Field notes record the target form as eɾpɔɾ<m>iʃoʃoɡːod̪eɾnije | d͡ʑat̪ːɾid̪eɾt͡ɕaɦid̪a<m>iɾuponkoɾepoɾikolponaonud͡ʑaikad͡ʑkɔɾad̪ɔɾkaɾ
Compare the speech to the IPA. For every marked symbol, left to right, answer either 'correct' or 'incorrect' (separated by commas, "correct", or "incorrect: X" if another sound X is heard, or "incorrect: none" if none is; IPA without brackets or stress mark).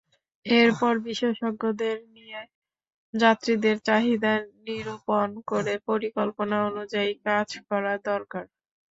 incorrect: b, incorrect: n